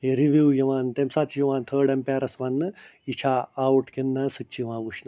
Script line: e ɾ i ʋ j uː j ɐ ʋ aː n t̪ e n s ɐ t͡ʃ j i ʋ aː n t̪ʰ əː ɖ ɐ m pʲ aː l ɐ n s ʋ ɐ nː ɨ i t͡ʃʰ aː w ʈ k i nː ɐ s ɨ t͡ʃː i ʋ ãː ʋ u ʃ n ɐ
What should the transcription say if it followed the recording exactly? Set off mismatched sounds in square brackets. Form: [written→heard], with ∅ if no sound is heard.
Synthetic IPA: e ɾ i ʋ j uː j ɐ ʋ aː n t̪ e [n→m] s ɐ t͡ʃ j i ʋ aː n t̪ʰ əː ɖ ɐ m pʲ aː [l→ɾ] ɐ [n→∅] s ʋ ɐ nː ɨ i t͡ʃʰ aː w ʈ k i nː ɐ s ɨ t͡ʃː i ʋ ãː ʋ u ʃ n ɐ